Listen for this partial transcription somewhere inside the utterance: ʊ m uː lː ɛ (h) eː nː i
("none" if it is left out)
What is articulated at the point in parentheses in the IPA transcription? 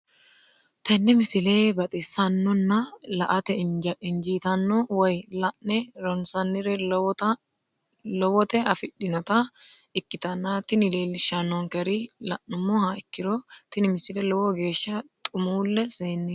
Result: s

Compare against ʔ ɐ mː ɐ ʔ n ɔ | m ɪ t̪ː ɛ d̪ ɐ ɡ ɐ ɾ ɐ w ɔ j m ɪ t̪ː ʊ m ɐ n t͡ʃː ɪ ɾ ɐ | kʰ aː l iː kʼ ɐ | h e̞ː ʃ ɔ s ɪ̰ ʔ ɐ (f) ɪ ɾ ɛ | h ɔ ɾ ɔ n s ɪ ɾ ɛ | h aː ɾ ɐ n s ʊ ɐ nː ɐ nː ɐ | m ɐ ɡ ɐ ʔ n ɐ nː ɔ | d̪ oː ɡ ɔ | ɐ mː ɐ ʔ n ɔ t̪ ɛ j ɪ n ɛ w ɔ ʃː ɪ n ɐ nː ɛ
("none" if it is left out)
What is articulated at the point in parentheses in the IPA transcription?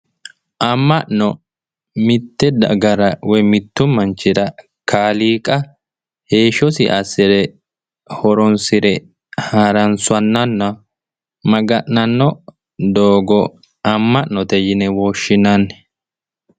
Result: s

